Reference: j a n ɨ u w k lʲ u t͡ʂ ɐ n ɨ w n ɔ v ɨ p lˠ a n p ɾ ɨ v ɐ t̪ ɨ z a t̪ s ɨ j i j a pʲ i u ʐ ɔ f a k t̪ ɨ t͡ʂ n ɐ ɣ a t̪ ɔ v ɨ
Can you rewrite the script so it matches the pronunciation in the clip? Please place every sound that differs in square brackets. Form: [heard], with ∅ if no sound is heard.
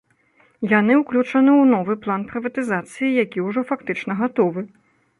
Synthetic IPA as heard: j a n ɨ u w k lʲ u t͡ʂ ɐ n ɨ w n ɔ v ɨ p lˠ a n p ɾ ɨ v ɐ t̪ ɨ z a t̪ s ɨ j i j a [kʲ] i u ʐ ɔ f a k t̪ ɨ t͡ʂ n ɐ ɣ a t̪ ɔ v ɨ